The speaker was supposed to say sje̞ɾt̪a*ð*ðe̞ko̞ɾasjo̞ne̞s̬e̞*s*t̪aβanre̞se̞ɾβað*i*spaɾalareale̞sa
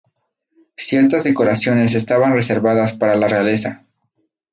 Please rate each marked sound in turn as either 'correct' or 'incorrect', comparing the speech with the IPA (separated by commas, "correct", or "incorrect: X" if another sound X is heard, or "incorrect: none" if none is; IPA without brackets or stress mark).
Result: incorrect: z, correct, incorrect: a